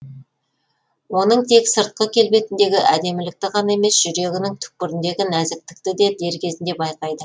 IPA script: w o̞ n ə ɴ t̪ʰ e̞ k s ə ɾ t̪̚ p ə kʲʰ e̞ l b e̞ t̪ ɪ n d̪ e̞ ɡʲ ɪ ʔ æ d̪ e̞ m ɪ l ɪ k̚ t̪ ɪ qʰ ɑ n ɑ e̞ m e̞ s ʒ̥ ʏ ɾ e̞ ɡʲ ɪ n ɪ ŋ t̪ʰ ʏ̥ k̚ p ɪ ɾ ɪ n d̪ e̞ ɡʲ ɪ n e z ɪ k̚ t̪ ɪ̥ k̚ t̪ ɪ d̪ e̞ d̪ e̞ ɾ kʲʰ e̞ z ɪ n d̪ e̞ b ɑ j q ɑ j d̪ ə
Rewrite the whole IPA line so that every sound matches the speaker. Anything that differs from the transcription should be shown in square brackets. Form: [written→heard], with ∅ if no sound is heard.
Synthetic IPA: w o̞ n ə ɴ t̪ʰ e̞ k s ə ɾ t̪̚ [p→q] ə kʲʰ e̞ l b e̞ t̪ ɪ n d̪ e̞ ɡʲ ɪ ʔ æ d̪ e̞ m ɪ l ɪ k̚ t̪ ɪ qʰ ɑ n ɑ e̞ m e̞ s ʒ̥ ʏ ɾ e̞ ɡʲ ɪ n ɪ ŋ t̪ʰ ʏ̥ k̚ p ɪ ɾ ɪ n d̪ e̞ ɡʲ ɪ n [e→æ] z ɪ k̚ t̪ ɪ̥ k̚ t̪ ɪ d̪ e̞ d̪ e̞ ɾ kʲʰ e̞ z ɪ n d̪ e̞ b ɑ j q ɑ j d̪ ə